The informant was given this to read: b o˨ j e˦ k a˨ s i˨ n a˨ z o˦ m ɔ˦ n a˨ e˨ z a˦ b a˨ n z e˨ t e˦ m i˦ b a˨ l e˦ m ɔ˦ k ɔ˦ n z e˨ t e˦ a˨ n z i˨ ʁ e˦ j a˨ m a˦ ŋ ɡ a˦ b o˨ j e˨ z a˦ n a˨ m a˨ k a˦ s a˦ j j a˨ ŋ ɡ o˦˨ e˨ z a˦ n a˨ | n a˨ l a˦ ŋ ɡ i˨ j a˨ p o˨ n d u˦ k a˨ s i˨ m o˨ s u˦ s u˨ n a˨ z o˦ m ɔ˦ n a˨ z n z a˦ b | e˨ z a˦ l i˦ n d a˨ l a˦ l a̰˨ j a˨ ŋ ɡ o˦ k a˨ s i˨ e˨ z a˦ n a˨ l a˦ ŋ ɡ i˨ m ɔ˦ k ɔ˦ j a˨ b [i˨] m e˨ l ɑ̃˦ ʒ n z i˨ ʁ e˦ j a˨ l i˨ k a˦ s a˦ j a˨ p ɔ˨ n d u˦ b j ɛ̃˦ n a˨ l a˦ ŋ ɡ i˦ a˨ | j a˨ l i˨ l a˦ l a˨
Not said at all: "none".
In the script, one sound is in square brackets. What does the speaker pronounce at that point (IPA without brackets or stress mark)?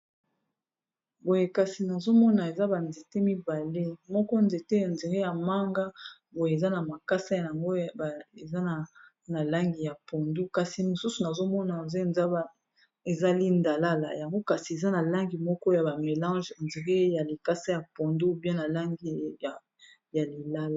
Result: a˨